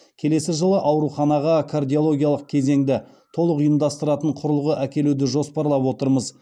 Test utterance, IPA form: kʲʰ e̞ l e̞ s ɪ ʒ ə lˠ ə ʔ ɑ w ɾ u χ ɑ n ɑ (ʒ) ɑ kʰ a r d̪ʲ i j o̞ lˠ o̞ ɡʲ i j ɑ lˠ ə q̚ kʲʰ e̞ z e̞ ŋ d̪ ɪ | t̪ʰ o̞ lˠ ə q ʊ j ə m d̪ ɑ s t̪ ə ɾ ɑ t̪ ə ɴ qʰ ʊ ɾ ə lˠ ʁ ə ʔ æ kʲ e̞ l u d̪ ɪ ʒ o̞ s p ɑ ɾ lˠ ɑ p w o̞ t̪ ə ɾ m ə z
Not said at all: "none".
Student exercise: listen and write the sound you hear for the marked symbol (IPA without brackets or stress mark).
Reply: ʁ